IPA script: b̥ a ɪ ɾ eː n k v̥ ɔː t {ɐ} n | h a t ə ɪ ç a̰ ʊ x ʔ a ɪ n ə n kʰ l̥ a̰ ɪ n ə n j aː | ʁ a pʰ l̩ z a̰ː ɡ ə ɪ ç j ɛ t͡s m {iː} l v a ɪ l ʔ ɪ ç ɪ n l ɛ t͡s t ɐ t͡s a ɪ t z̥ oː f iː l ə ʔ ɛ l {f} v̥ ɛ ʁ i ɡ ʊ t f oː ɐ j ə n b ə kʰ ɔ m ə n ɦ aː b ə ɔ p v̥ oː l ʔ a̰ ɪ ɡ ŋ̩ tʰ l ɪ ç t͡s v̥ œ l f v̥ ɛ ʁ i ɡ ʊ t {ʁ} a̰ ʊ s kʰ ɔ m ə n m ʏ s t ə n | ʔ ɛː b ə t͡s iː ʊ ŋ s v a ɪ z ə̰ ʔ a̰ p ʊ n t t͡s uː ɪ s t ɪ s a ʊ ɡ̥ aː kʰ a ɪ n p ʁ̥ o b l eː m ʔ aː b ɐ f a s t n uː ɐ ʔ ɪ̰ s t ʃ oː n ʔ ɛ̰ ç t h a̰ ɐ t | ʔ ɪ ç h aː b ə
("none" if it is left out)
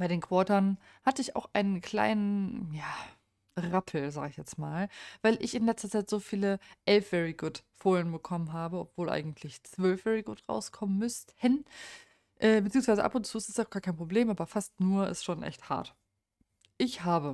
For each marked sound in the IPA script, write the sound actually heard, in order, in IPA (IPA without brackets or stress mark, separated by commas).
ɐ, aː, f, ʁ